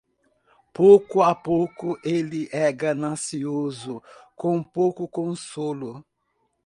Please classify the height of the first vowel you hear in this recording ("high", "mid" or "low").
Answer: mid